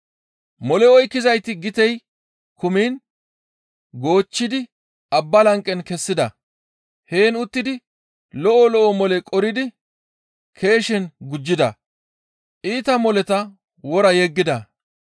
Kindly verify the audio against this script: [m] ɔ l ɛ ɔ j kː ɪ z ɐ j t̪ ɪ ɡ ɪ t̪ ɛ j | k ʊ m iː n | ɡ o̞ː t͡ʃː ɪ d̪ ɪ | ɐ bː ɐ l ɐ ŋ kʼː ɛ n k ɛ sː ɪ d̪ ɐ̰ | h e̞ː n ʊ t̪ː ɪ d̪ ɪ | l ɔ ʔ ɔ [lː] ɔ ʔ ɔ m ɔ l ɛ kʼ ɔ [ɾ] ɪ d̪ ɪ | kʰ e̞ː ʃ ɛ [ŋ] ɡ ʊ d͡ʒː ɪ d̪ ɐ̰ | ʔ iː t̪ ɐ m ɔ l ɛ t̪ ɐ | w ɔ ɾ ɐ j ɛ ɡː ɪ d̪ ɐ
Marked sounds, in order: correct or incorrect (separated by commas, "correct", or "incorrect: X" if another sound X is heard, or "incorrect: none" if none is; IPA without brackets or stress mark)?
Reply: correct, incorrect: l, correct, incorrect: n